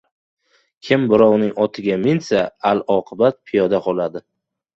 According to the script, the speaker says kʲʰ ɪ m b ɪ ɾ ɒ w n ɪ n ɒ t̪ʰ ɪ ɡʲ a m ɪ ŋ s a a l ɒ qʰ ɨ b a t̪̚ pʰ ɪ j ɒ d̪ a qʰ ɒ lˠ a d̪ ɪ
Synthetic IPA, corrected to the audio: kʲʰ ɪ m b ɪ ɾ ɒ w n ɪ ŋ ɒ t̪ʰ ɪ ɡʲ a m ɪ n s a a l ɒ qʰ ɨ b a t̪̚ pʰ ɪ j ɒ d̪ a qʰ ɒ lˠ a d̪ ɪ